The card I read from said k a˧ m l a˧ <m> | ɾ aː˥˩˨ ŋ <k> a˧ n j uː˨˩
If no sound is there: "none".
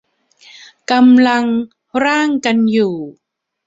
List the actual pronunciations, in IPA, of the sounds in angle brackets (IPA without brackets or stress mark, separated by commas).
ŋ, k